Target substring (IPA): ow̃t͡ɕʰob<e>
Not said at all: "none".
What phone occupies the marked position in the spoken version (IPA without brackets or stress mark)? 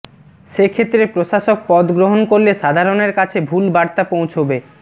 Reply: e